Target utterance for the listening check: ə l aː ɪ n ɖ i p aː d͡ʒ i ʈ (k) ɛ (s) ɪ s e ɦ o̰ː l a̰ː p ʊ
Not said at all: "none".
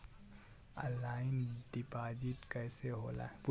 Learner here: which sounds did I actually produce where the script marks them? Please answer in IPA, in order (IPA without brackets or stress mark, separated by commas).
k, none